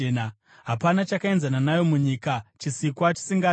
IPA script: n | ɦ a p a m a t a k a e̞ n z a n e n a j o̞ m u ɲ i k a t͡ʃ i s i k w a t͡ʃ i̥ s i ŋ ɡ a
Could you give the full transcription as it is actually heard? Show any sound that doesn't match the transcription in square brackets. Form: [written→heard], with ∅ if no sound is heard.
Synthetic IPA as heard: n | ɦ a p a [m→n] a [t→t͡ʃ] a k a e̞ n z a n [e→a] n a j o̞ m u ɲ i k a t͡ʃ i s i k w a t͡ʃ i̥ s i ŋ ɡ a